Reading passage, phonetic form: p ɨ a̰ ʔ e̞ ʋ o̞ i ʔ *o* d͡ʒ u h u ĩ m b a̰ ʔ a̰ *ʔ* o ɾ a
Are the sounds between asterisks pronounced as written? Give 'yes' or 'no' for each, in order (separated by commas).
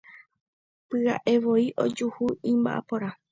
yes, no